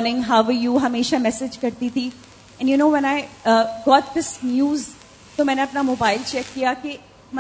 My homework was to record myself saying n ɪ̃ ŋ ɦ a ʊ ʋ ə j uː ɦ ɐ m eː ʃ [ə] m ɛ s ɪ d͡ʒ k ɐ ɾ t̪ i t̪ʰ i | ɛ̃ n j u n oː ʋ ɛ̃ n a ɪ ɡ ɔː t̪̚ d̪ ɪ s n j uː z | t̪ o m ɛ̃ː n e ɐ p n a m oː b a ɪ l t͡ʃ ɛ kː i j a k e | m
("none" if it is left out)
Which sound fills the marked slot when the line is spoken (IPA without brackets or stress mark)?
a